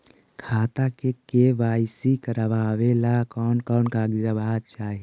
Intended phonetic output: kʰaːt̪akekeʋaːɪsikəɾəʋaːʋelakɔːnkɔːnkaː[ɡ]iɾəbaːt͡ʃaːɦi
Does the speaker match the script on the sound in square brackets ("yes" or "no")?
yes